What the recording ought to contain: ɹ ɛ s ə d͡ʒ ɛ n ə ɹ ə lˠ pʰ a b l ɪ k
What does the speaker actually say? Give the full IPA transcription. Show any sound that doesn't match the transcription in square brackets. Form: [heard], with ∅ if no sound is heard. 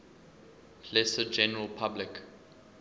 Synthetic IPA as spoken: [l] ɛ s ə d͡ʒ ɛ n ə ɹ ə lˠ pʰ a b l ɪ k

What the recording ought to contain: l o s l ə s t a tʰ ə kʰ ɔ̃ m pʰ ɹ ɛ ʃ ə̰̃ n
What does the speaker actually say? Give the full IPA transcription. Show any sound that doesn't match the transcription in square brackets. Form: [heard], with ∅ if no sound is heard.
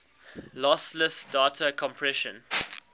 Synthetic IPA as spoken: l [ɔ] s l ə s [d] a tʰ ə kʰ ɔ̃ m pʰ ɹ ɛ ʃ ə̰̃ n

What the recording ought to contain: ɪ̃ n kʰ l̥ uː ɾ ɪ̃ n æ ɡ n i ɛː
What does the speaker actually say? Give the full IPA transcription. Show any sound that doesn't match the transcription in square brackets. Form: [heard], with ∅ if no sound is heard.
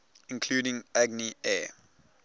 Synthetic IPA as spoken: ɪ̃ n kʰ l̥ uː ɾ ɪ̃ [ŋ] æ ɡ n i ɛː

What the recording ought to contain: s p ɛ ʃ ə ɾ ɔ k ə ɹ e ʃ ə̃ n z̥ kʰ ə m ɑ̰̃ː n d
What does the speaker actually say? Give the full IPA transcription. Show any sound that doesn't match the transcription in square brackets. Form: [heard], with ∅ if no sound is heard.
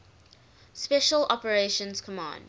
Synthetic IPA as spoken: s p ɛ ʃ ə [l] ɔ [p] ə ɹ e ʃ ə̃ n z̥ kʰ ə m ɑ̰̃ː n d

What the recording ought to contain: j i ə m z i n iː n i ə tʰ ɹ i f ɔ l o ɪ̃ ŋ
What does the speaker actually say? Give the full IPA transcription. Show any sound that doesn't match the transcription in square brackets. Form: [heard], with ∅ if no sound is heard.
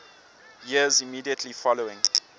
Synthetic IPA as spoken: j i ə [∅] z i [m] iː [d] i ə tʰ [l] i f ɔ l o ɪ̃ ŋ

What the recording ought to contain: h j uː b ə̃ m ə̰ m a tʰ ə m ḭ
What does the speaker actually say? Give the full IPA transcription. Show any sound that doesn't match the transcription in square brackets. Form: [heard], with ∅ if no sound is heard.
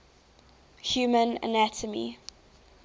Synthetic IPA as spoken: h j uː [m] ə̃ [n] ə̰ [n] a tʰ ə m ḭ

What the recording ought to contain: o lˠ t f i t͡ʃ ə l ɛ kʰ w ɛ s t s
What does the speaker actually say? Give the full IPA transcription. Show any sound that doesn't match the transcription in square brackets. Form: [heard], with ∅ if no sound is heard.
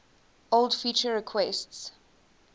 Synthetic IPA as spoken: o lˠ [d] f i t͡ʃ ə [ɹ] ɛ kʰ w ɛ s t s

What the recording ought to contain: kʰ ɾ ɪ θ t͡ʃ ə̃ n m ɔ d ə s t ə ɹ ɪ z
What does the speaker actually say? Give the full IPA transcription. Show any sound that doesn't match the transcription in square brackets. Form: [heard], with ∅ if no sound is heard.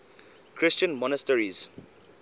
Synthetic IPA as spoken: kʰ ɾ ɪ [s] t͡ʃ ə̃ n m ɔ [n] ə s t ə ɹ [i] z

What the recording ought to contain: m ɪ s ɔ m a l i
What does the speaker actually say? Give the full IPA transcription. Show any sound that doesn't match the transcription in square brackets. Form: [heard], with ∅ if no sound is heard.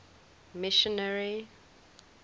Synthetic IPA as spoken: m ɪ [ʃ] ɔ [n] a [ɹ] i

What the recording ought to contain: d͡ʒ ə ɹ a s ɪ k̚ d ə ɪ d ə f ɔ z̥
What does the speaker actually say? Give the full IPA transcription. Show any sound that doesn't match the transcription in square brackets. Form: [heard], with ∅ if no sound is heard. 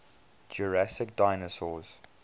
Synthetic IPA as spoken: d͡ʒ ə ɹ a s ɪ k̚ d [a] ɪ [n] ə [s] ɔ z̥

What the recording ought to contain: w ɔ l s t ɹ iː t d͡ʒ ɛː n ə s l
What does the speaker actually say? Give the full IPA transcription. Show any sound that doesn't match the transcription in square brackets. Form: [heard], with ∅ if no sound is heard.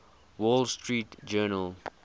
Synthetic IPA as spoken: w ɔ l s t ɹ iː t d͡ʒ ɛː n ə [∅] l

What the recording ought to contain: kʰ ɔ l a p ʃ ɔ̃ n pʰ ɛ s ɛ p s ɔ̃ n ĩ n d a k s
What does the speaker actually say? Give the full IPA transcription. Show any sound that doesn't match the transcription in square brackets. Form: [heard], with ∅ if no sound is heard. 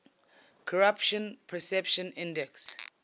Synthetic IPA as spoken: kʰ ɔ [ɹ] a p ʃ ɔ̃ n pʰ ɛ s ɛ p [ʃ] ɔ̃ n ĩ n d [ɛ] k s

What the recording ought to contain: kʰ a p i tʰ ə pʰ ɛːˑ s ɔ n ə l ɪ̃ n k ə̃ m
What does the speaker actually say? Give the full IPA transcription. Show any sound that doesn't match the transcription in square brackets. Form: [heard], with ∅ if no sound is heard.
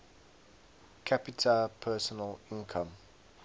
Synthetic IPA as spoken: kʰ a p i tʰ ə pʰ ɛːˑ s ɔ n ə l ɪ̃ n [kʰ] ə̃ m

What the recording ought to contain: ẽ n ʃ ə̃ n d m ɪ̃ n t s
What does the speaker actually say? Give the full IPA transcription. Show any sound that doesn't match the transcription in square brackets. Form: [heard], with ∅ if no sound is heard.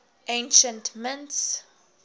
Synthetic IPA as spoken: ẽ n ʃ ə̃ n [t] m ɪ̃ n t s

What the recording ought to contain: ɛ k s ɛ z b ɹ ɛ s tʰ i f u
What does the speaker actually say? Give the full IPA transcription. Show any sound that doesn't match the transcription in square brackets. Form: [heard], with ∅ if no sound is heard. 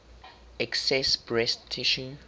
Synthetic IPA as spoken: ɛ k s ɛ [s] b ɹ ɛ s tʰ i [ʃ] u

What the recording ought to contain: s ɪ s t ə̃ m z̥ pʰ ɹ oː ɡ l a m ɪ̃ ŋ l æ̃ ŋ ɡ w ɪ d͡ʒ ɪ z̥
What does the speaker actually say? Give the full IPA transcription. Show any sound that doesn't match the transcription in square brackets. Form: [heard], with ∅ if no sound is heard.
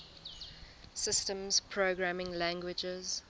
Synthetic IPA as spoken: s ɪ s t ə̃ m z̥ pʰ ɹ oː ɡ [ɹ] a m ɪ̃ ŋ l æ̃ ŋ ɡ w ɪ d͡ʒ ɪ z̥

